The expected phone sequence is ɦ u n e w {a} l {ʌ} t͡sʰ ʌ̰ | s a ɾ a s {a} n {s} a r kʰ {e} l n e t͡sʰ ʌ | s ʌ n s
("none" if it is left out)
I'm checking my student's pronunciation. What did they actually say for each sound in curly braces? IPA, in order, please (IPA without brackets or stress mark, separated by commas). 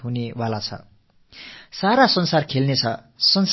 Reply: a, a, ʌ, s, e